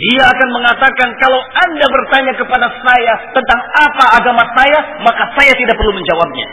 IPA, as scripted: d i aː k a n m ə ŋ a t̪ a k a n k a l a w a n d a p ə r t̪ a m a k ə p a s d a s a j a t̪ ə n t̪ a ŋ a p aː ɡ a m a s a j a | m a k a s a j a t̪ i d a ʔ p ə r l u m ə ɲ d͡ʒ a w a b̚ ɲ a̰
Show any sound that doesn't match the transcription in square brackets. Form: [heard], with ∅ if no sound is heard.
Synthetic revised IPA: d i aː k a n m ə ŋ a t̪ a k a n k a l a w a n d a [b] ə r t̪ a [ɲ] a k ə p a [∅] d a s a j a t̪ ə n t̪ a ŋ a p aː ɡ a m a s a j a | m a k a s a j a t̪ i d a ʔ p ə r l u m ə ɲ d͡ʒ a w a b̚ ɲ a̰